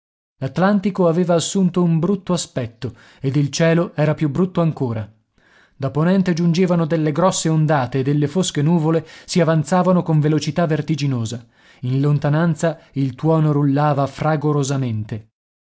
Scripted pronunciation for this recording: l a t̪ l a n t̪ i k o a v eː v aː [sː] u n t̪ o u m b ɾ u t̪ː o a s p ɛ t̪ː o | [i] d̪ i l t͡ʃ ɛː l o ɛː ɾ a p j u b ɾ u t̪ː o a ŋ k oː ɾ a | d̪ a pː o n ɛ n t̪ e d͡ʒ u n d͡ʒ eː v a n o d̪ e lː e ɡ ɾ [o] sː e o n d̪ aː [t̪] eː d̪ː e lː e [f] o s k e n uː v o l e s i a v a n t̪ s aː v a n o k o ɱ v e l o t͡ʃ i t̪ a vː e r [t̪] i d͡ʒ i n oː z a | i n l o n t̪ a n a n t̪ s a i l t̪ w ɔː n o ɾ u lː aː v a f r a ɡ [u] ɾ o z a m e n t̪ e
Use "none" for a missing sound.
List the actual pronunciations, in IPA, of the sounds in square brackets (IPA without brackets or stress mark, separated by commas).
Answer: sː, e, ɔ, t̪, f, t̪, o